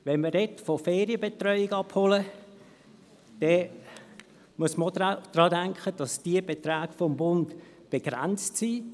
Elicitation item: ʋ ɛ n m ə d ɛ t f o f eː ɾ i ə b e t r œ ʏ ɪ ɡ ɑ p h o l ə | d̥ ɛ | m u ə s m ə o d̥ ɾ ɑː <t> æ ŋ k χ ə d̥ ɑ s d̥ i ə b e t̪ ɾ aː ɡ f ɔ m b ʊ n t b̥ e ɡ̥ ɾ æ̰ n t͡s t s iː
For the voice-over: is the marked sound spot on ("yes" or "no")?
no